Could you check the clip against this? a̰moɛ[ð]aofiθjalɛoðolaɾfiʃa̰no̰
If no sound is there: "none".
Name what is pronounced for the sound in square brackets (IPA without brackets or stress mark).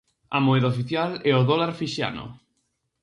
ð